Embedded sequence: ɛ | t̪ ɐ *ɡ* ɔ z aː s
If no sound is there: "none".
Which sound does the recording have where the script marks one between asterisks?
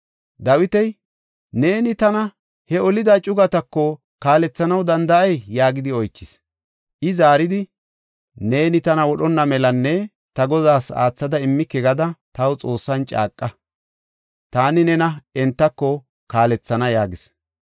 ɡ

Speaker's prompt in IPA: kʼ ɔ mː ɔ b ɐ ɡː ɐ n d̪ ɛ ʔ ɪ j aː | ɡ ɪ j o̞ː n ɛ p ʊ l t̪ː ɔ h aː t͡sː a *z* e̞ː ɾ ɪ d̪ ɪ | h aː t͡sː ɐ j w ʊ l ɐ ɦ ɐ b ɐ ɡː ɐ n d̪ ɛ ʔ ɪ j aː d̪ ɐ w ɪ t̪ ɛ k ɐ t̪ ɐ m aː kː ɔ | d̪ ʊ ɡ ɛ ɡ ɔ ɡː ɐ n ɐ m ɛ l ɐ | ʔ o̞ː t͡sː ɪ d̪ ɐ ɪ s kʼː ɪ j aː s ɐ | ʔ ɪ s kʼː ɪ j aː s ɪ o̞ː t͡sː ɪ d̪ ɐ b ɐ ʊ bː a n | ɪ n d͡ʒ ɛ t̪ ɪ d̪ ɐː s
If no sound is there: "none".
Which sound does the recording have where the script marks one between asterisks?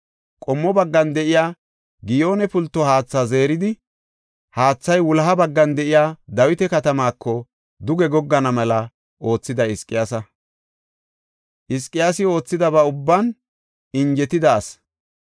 z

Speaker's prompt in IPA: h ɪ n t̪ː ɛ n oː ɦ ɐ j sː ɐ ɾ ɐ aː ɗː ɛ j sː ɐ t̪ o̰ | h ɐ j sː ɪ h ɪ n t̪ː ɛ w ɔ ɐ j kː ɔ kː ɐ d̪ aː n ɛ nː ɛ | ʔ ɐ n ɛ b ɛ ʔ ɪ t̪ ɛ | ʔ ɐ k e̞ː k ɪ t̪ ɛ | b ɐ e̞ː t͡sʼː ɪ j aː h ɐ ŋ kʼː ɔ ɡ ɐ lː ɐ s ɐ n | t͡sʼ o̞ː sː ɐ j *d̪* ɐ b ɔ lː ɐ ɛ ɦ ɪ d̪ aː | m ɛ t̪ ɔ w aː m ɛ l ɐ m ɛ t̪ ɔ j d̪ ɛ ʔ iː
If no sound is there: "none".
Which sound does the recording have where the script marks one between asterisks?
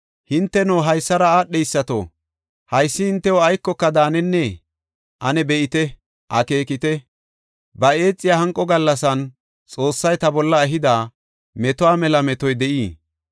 t̪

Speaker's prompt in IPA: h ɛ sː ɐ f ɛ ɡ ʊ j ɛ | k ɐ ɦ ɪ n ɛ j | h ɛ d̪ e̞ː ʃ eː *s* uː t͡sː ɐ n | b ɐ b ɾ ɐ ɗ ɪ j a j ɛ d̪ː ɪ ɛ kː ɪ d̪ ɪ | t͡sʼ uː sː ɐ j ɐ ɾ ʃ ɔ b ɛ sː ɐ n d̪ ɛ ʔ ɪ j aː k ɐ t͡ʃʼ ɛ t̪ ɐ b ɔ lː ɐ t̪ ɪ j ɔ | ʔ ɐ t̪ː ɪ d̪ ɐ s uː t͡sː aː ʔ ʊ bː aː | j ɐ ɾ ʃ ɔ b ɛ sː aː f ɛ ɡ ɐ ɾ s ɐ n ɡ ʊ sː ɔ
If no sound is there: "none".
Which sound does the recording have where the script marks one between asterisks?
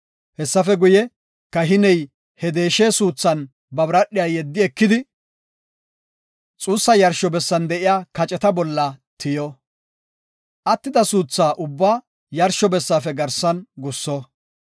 s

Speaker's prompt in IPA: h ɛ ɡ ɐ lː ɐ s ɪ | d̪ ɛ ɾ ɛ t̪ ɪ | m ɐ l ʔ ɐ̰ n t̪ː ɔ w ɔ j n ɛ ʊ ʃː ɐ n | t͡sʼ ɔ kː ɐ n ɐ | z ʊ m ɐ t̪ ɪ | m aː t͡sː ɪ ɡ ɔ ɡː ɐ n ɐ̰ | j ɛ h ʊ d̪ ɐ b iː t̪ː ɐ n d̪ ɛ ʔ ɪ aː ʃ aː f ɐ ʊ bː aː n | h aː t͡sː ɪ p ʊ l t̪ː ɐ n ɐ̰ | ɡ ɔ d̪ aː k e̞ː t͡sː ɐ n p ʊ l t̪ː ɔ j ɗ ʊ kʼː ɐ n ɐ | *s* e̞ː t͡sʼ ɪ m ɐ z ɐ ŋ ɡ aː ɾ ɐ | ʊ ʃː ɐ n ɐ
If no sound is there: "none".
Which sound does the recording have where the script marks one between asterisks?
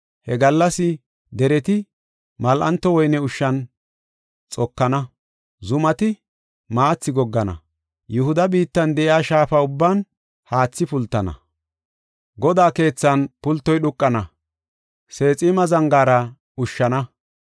s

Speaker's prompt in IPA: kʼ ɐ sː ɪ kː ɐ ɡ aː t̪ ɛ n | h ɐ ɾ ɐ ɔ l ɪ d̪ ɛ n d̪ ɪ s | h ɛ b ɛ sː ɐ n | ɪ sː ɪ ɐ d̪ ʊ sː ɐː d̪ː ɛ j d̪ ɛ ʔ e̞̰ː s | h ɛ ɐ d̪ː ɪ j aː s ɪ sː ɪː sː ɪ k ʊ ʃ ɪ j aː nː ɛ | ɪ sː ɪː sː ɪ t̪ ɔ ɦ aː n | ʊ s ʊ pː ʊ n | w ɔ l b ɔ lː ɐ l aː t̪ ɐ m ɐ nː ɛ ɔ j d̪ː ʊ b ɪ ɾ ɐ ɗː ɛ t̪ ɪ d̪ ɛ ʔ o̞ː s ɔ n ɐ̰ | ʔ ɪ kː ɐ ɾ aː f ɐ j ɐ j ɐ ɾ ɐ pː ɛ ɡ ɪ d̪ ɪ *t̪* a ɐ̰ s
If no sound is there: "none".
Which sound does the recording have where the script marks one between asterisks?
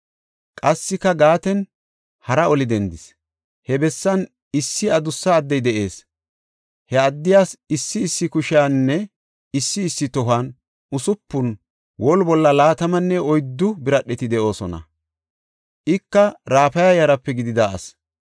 d̪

